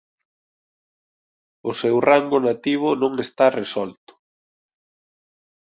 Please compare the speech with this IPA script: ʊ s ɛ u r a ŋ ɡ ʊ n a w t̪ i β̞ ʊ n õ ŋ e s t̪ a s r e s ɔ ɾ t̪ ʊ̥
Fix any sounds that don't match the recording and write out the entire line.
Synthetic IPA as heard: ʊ s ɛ w r a ŋ ɡ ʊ n a t̪ i β̞ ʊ n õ ŋ e s t̪ a r e s ɔ l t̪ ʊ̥